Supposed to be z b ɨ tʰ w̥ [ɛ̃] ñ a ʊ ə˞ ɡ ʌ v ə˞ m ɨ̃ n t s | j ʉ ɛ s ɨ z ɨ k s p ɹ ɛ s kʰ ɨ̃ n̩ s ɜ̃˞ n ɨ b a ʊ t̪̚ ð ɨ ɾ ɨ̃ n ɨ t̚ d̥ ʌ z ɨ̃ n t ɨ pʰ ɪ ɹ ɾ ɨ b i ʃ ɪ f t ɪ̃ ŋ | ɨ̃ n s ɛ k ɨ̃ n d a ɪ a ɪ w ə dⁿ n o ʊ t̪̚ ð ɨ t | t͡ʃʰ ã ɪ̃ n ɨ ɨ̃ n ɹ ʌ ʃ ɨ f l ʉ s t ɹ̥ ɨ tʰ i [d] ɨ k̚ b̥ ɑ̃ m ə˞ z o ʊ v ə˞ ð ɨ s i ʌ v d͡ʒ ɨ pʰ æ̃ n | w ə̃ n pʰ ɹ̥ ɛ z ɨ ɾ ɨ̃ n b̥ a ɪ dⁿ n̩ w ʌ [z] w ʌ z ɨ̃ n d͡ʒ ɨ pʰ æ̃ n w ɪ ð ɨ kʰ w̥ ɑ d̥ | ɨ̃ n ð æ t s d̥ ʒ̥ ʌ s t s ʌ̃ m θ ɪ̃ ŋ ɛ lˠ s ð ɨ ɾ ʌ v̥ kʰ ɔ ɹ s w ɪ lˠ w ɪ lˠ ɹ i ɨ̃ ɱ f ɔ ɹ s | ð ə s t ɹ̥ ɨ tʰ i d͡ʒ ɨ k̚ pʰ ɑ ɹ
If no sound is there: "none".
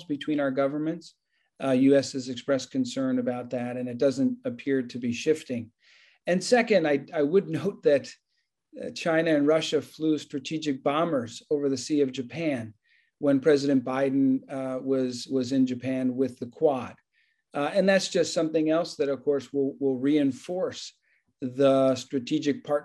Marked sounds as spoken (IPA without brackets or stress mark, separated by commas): ĩ, d͡ʒ, z